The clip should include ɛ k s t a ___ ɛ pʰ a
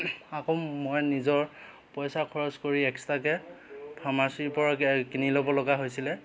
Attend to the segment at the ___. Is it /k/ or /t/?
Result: k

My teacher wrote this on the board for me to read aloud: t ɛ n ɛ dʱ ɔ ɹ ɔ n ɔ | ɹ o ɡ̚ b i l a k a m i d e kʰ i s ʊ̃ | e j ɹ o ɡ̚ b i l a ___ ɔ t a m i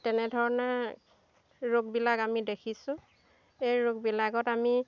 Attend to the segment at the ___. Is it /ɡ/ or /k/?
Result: ɡ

